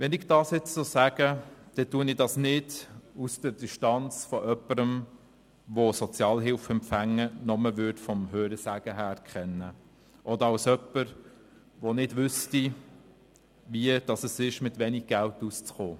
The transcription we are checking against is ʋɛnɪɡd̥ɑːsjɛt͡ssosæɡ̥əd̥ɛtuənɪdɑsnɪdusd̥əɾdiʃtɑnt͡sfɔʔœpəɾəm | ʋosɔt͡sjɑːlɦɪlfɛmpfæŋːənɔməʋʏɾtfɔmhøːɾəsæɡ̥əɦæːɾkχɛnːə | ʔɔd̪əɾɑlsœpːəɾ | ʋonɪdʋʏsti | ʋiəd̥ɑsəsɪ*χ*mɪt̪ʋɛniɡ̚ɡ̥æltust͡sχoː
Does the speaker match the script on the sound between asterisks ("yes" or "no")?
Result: no